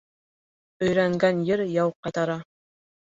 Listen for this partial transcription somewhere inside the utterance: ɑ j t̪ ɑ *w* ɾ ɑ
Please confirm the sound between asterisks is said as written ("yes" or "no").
no